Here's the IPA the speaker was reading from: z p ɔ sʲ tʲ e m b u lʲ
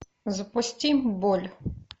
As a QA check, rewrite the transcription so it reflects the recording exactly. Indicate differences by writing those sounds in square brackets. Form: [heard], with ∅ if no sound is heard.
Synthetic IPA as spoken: z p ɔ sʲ tʲ [i] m b [ɔ] lʲ